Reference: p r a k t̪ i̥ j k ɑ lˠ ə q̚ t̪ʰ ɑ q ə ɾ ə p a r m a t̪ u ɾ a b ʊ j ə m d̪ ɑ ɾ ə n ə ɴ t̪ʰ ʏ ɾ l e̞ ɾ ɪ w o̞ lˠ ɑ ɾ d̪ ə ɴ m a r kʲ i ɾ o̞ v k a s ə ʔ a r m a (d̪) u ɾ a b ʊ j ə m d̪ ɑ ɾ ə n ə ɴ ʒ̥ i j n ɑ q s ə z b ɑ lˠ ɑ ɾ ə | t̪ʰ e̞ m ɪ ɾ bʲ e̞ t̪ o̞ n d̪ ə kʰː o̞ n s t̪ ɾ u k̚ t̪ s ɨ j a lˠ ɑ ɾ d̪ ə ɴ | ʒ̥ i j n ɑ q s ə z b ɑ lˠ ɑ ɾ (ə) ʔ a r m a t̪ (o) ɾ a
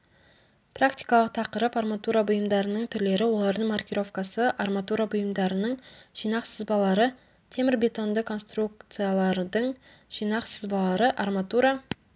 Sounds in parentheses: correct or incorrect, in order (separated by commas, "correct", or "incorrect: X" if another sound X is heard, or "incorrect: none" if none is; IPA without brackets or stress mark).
incorrect: t̪, correct, incorrect: u